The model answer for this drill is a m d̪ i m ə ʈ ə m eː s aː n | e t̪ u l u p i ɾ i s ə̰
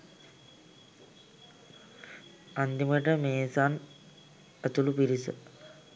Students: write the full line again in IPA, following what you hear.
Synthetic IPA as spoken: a n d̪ i m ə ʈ ə m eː s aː n | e t̪ u l u p i ɾ i s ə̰